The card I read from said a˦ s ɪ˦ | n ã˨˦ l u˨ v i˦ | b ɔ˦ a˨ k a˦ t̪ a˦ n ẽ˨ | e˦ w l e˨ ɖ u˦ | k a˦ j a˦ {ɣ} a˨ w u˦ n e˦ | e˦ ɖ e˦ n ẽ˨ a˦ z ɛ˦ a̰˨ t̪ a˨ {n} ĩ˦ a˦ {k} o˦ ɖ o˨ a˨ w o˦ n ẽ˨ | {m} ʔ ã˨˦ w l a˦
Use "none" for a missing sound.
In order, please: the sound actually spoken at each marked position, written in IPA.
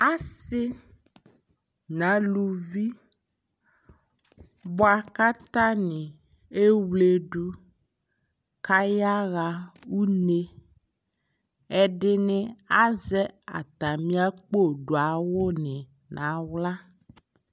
ɣ, m, k͡p, n

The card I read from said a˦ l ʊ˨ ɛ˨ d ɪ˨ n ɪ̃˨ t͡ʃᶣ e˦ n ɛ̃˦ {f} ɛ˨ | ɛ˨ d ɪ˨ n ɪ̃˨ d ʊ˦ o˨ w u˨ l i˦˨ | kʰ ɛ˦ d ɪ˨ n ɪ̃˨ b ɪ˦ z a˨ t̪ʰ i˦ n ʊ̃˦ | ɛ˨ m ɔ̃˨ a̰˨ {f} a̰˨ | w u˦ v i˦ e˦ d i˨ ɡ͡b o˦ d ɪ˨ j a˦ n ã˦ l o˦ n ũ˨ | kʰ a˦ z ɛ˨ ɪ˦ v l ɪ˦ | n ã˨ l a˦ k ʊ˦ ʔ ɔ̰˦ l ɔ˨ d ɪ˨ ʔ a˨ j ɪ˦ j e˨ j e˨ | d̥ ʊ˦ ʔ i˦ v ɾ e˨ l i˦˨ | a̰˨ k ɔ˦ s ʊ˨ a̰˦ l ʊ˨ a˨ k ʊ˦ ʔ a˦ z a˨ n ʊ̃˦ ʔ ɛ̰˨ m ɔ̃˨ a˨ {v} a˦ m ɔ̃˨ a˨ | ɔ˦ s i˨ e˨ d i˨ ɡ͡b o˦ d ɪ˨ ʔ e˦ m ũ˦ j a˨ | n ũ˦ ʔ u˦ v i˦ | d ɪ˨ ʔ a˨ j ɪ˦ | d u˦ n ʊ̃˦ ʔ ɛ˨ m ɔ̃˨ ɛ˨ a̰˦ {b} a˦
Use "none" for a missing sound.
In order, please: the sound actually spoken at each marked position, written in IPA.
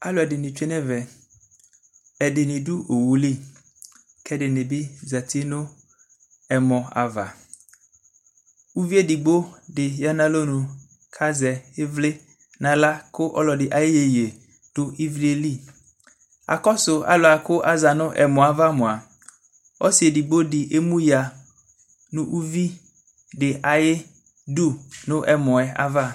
v, v, v, v

